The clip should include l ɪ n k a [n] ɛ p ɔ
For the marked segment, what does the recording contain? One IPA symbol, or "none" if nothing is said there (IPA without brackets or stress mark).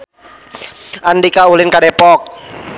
d